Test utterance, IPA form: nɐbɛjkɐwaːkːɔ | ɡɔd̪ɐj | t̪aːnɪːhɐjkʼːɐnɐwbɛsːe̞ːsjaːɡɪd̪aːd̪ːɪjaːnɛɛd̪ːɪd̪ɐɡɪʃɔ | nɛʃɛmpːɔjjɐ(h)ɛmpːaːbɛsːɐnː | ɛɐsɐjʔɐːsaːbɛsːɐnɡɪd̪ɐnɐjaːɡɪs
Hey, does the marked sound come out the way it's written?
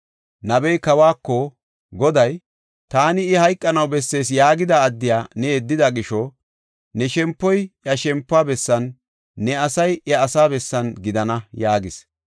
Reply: no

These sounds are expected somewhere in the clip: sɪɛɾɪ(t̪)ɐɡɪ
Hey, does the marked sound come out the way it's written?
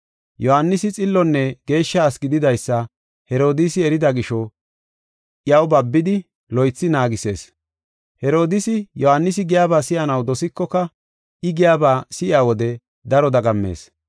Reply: no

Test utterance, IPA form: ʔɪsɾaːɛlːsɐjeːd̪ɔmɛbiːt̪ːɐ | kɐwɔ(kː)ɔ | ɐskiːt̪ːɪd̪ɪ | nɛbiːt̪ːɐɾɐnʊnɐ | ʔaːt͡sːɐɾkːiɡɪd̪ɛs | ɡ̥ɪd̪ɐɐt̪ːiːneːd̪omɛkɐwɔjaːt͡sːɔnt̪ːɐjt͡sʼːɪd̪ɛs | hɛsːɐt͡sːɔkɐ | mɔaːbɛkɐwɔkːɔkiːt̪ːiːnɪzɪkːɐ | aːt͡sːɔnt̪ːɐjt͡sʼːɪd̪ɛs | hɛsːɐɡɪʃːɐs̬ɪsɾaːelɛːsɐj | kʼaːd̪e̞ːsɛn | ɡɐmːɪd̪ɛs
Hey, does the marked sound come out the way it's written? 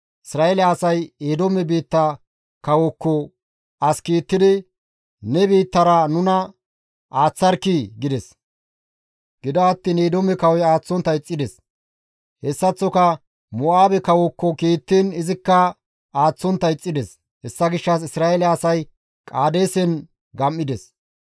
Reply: yes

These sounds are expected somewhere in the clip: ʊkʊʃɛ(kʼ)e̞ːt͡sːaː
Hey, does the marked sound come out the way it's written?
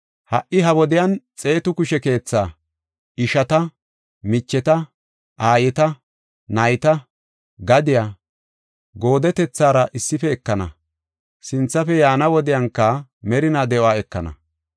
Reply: no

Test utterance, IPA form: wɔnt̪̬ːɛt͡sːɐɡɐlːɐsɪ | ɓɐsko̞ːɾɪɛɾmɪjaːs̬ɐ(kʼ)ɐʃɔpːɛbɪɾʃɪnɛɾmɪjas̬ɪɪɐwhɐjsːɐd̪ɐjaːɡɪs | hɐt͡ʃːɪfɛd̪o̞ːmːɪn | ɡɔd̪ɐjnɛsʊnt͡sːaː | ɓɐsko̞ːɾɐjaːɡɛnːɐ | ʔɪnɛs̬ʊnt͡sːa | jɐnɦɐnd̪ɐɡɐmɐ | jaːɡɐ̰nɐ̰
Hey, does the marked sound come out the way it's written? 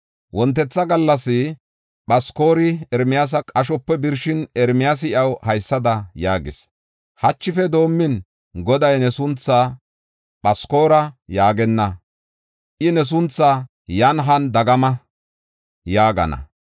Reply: yes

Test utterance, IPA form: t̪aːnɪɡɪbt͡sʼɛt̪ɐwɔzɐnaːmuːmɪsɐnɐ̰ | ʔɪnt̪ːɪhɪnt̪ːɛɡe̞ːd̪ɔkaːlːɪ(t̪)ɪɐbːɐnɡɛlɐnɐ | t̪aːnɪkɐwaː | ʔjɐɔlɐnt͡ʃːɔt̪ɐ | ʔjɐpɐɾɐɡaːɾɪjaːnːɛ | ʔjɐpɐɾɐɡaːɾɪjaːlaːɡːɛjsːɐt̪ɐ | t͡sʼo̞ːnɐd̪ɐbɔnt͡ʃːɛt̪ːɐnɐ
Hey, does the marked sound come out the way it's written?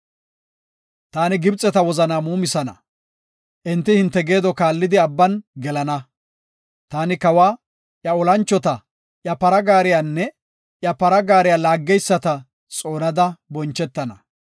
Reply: no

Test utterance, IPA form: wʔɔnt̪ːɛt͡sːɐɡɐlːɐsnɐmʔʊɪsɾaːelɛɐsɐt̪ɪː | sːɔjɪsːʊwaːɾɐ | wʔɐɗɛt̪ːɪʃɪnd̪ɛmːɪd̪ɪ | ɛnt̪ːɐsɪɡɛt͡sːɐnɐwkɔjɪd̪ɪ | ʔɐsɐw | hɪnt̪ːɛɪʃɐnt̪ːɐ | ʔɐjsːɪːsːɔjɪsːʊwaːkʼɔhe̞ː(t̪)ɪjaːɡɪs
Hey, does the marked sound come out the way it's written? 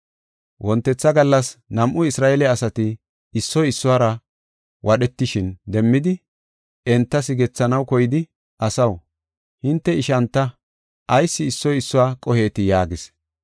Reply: yes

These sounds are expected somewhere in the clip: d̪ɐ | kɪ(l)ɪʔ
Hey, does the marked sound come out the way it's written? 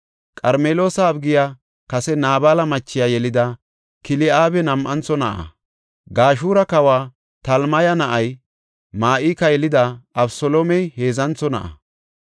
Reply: yes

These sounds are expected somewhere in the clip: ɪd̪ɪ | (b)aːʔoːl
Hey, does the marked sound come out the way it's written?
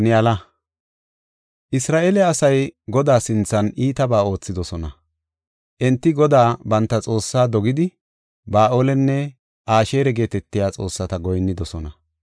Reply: yes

